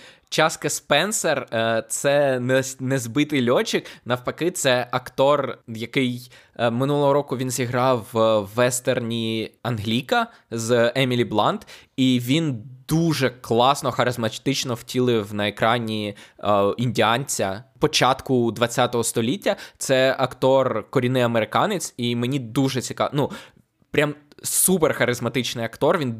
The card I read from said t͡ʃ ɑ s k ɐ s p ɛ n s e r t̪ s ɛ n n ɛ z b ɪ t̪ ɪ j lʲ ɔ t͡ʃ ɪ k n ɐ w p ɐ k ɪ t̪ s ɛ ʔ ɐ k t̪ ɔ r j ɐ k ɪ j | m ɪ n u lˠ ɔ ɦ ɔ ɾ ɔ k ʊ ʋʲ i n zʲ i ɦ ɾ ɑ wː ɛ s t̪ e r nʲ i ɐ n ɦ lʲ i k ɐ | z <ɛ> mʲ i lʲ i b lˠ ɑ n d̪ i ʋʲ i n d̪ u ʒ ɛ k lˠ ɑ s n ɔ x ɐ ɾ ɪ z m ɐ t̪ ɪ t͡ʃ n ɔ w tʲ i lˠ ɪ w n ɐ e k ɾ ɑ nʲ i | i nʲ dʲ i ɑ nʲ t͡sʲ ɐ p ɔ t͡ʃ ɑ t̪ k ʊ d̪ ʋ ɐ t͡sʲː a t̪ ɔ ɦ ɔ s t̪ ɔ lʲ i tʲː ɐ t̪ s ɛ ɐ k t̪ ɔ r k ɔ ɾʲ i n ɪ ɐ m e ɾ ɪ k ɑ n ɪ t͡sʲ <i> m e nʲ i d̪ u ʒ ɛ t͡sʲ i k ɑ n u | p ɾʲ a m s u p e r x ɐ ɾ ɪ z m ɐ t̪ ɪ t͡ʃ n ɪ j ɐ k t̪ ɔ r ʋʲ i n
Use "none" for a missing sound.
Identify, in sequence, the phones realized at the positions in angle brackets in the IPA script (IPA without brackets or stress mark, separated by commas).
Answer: ɛ, i